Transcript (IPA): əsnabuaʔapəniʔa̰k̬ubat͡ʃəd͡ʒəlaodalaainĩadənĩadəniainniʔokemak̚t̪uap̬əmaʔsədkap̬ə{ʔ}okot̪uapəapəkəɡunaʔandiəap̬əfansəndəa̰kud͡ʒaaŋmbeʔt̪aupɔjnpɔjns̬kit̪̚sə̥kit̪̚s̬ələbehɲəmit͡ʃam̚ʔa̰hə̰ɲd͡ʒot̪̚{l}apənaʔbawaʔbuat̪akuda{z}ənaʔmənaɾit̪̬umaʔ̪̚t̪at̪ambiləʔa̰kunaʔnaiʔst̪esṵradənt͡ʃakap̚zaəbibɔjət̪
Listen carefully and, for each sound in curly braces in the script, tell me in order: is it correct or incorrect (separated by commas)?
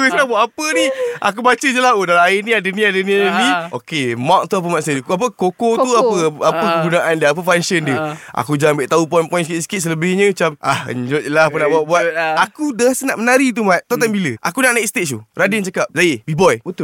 incorrect, correct, incorrect